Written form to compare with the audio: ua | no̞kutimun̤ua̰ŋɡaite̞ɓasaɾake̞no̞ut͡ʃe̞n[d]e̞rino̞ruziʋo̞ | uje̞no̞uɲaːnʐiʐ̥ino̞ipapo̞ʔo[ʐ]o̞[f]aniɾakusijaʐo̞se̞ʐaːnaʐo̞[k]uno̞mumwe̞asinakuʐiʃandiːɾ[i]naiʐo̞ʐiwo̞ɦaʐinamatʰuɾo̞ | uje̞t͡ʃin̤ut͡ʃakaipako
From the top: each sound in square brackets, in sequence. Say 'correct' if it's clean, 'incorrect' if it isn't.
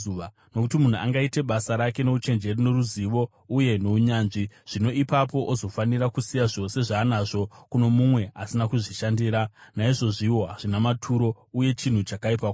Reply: incorrect, incorrect, correct, correct, incorrect

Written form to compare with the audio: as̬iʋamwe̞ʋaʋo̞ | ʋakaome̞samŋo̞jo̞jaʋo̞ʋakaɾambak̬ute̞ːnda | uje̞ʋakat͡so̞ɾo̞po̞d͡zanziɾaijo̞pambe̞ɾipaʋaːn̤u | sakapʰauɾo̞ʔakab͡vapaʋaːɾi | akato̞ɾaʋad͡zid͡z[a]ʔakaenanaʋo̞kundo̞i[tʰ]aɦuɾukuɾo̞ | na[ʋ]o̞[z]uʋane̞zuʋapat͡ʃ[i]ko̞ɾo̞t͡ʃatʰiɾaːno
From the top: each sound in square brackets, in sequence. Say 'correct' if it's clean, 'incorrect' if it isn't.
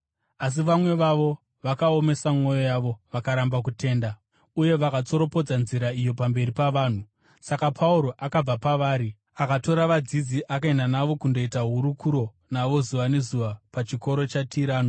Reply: incorrect, incorrect, correct, correct, correct

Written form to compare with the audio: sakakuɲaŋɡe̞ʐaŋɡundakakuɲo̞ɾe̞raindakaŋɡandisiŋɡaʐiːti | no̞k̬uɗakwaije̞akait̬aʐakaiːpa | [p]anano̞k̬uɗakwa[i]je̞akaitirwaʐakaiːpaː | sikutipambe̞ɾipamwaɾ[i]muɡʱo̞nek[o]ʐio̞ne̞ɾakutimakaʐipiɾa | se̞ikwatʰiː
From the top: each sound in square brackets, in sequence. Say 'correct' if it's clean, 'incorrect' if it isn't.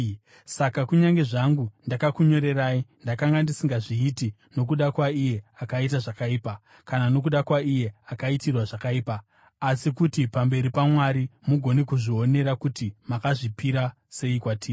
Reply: incorrect, correct, correct, incorrect

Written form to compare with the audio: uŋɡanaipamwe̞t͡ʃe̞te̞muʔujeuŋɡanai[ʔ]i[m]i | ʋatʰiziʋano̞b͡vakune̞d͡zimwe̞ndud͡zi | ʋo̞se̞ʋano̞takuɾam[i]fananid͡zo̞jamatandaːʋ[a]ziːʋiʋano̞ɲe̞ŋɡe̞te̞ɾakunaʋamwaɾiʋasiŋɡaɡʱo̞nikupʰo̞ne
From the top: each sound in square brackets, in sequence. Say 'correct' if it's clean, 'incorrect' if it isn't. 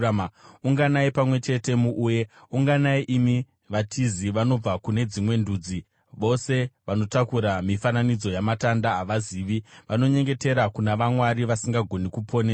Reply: correct, correct, correct, correct

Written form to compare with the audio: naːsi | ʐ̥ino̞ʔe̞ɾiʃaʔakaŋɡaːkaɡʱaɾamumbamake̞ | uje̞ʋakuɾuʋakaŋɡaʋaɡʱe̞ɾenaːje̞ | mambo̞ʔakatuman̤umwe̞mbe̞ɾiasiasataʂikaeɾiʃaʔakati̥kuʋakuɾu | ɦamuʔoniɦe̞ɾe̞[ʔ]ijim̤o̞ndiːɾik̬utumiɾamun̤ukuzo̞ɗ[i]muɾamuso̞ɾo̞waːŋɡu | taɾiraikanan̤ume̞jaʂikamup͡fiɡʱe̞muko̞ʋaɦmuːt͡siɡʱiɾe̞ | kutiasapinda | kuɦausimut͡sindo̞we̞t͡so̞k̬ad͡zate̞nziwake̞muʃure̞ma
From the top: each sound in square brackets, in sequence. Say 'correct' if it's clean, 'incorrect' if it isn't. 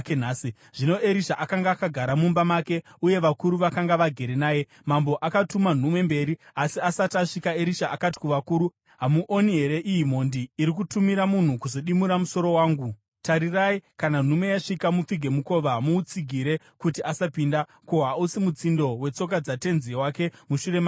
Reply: correct, correct

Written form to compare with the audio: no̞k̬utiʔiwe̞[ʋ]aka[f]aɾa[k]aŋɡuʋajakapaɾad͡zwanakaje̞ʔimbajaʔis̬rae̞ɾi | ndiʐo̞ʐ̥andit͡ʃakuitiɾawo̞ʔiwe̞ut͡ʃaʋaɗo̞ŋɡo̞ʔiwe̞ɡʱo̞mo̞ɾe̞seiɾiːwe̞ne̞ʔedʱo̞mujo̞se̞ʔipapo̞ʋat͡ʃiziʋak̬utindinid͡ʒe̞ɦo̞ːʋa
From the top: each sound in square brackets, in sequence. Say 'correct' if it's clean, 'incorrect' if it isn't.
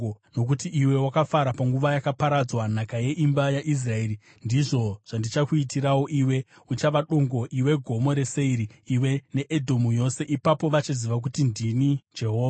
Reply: incorrect, correct, incorrect

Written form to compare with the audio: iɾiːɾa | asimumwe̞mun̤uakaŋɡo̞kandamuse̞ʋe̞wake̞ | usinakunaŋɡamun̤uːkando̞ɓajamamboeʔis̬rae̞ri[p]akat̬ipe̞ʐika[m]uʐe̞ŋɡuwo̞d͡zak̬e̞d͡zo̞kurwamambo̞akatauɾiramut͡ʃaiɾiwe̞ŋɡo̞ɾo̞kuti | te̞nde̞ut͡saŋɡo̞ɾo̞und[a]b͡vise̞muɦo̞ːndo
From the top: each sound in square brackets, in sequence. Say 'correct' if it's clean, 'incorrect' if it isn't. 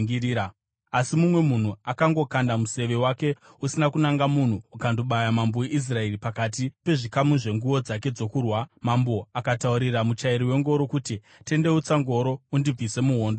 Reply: correct, correct, incorrect

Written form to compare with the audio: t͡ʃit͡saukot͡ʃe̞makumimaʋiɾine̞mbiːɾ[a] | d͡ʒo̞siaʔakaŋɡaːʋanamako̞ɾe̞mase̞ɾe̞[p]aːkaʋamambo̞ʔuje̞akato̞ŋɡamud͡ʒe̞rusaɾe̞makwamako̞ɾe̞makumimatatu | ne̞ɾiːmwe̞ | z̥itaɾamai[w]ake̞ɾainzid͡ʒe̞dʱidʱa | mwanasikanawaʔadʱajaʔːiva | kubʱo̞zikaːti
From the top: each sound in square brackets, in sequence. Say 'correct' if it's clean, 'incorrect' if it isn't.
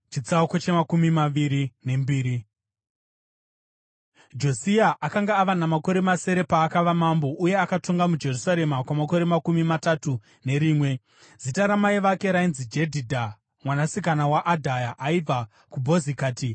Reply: incorrect, correct, incorrect

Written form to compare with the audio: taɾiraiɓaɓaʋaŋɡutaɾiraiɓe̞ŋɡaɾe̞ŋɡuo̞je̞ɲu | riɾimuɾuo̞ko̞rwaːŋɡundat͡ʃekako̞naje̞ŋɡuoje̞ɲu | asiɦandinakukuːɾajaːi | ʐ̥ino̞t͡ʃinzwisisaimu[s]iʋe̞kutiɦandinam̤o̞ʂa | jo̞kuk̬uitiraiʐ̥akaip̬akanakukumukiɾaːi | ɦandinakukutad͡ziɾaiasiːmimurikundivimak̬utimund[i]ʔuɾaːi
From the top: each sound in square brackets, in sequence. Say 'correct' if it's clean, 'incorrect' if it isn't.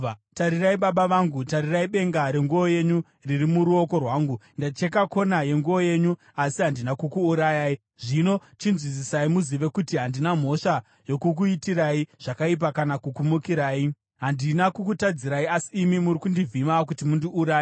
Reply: incorrect, correct

